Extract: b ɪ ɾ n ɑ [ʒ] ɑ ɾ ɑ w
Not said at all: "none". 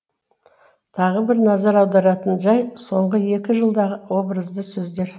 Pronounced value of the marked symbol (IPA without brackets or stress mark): z